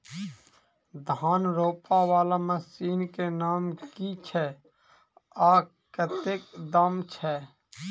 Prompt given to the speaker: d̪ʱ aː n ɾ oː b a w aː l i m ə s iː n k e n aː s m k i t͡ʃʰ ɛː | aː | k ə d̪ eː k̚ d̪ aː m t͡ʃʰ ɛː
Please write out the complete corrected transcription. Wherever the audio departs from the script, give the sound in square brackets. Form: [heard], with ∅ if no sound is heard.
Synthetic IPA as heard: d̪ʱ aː n ɾ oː [p] a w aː l [a] m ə s iː n k e n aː [∅] m k i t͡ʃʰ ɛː | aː | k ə [t̪] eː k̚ d̪ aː m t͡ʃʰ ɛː